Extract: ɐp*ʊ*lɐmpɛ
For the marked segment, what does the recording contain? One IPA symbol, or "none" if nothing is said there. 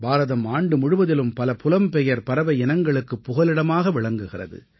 ʊ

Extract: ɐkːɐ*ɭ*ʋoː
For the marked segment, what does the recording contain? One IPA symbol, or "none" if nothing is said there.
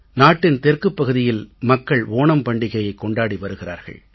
ɭ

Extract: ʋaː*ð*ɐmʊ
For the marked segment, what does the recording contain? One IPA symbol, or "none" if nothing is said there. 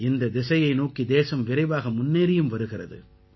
ɣ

